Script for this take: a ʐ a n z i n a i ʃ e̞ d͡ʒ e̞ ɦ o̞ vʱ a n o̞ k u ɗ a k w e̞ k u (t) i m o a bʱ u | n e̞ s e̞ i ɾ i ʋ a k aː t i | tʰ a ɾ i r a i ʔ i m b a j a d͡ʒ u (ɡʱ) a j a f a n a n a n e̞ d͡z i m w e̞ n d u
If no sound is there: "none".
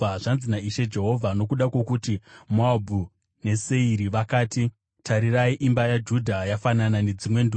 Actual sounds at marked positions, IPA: t, dʱ

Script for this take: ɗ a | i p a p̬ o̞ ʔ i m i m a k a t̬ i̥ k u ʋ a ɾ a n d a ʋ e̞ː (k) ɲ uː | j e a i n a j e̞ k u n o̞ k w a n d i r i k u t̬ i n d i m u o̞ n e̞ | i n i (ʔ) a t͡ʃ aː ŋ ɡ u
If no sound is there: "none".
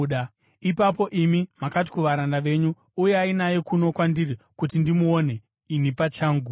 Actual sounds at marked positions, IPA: none, p

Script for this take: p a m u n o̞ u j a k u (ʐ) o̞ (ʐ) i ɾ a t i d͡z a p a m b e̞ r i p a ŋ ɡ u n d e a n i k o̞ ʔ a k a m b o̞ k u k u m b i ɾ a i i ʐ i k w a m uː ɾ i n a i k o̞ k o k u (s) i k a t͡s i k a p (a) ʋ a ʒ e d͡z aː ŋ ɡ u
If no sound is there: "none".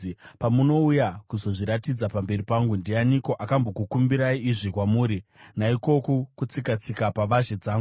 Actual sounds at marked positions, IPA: z, ʐ, t͡s, a

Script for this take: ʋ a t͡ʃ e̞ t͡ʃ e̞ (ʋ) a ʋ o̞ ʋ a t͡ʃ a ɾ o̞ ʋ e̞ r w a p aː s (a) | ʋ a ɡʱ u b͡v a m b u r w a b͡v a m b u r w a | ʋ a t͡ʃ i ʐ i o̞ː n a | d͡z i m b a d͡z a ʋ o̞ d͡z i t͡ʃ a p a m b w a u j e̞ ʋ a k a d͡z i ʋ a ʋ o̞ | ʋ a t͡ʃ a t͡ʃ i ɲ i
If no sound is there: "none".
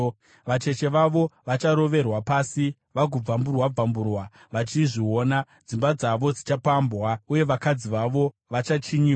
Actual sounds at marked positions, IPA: ʋ, i

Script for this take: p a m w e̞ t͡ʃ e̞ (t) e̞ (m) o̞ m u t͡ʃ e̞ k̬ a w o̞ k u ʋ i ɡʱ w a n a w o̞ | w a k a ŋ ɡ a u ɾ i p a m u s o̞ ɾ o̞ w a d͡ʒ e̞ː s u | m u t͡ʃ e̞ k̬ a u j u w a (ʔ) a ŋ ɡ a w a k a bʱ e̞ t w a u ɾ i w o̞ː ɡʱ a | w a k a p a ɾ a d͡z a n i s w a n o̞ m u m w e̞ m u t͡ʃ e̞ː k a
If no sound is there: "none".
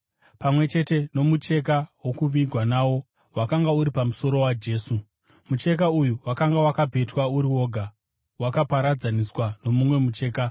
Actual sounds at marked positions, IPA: t, n, k

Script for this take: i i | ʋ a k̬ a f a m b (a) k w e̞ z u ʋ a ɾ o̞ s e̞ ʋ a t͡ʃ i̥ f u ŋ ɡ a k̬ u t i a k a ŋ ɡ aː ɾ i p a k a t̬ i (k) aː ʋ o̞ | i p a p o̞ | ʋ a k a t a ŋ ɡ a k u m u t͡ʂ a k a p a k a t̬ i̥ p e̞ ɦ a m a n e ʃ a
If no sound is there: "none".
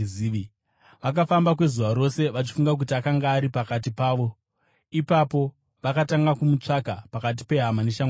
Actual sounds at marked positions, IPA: a, p

